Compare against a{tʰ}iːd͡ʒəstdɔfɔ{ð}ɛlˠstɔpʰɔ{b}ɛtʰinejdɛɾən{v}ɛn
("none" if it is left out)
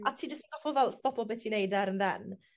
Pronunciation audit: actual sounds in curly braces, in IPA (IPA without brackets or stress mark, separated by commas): tʰ, v, b, ð